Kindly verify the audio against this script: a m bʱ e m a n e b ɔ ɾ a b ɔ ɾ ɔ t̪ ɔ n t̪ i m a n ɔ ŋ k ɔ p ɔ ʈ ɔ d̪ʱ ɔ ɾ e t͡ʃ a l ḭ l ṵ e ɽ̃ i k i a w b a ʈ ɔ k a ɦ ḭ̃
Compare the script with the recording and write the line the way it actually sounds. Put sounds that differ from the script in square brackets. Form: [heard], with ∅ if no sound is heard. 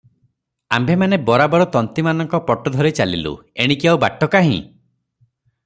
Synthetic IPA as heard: a m bʱ e m a n e b ɔ ɾ a b ɔ ɾ ɔ t̪ ɔ n t̪ i m a n ɔ ŋ k ɔ p ɔ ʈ ɔ d̪ʱ ɔ ɾ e t͡ʃ a l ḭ l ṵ e ɽ̃ i k i a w b a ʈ ɔ k a ɦ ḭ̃

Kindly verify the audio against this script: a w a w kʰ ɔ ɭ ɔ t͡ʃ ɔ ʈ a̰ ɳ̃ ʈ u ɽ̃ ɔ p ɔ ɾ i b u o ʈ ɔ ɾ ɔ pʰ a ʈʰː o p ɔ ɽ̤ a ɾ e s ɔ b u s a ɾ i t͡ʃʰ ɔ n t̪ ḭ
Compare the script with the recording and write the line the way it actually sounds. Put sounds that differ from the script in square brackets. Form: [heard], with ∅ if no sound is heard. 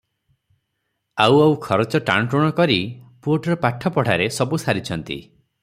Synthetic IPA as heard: a w a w kʰ ɔ [ɾ] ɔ t͡ʃ ɔ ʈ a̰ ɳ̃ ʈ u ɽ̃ ɔ [k] ɔ ɾ i [p] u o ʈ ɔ ɾ ɔ [p] a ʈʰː [ɔ] p ɔ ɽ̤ a ɾ e s ɔ b u s a ɾ i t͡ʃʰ ɔ n t̪ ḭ

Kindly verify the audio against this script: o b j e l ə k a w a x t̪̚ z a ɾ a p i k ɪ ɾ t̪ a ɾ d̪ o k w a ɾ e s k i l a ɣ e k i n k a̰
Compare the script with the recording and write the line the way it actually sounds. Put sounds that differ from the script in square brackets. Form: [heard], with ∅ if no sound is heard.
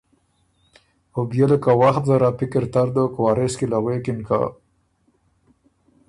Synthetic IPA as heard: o b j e l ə k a w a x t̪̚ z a ɾ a p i k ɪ ɾ t̪ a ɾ d̪ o k w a ɾ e s k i l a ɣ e k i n k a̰

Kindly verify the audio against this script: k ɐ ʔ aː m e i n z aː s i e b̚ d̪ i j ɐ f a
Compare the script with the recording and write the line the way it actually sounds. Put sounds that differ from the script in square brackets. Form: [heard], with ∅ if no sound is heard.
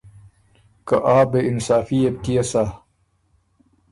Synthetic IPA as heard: k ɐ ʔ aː [b] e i n [s] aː [f] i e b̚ [t̪] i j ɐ [s] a

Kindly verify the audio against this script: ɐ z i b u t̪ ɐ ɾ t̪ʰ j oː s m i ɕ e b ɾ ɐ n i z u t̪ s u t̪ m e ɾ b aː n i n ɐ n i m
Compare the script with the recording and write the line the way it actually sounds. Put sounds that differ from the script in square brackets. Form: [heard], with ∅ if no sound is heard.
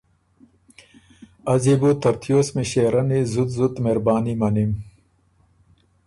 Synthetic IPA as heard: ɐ z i b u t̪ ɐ ɾ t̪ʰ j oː s m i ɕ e [∅] ɾ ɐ n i z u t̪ [z] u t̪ m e ɾ b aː n i [m] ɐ n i m

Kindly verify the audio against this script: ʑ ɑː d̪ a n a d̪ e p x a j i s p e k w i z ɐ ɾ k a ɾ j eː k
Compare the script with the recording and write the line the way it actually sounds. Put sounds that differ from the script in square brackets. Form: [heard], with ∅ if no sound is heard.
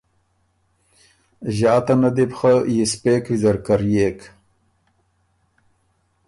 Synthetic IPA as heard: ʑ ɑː [t̪] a n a d̪ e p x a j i s p e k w i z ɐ ɾ k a ɾ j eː k

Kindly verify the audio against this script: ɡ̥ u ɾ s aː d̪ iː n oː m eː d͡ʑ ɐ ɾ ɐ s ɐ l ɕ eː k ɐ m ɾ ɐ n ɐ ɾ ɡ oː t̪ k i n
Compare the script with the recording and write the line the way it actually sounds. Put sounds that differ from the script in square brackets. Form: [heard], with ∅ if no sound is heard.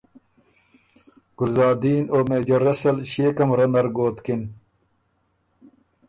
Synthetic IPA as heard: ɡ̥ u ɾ [z] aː d̪ iː n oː m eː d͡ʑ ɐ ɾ ɐ s ɐ l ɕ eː k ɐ m ɾ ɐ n ɐ ɾ ɡ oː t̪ k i n

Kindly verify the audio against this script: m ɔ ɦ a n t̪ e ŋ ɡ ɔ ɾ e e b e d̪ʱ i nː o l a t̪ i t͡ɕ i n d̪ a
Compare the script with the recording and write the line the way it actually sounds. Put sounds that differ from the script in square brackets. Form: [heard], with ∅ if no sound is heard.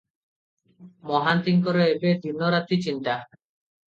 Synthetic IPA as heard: m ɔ ɦ a n t̪ [i] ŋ [k] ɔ ɾ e e b e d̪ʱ i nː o [ɾ] a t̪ i t͡ɕ i n [t̪] a

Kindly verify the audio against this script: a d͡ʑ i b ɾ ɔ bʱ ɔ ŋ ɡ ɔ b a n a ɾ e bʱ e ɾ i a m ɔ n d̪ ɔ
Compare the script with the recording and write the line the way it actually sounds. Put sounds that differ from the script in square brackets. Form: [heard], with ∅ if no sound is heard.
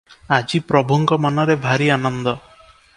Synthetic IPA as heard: a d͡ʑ i [p] ɾ ɔ bʱ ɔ ŋ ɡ ɔ [m] a n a ɾ e bʱ [a] ɾ i a [n] ɔ n d̪ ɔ

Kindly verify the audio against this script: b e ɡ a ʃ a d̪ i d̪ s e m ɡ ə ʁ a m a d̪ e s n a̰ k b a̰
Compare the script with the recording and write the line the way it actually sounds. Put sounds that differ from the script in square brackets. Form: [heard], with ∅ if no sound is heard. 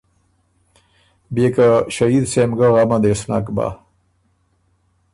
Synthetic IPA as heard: b e [k] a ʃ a [∅] i d̪ s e m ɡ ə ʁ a m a d̪ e s n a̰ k b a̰

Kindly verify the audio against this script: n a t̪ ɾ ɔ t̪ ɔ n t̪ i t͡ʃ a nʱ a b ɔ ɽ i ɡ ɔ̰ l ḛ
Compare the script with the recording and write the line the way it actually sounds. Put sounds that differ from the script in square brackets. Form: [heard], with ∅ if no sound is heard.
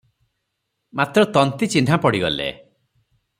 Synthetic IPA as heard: [m] a t̪ ɾ ɔ t̪ ɔ n t̪ i t͡ʃ [i] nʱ a [p] ɔ ɽ i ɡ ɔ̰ l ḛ

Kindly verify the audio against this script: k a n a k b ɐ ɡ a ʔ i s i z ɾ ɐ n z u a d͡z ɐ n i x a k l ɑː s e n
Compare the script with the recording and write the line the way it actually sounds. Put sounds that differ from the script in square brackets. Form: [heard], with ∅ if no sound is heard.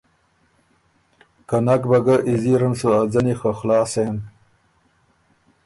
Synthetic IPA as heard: k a n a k b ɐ ɡ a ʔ i [z] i [∅] ɾ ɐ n [s] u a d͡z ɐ n i x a [x] l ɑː s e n

